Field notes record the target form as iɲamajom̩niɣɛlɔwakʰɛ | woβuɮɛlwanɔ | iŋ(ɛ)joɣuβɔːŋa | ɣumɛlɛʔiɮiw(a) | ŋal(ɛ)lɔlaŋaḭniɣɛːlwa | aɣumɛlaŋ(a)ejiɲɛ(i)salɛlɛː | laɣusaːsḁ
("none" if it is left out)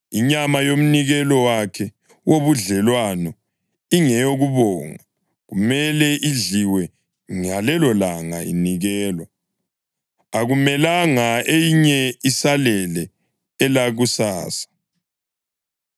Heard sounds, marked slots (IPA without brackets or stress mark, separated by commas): ɛ, ɛ, ɛ, a, i